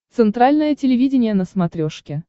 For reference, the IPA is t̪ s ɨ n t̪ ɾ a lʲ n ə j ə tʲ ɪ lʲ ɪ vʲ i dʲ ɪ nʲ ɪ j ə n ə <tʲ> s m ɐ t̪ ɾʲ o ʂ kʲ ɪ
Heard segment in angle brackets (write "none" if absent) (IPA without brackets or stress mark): none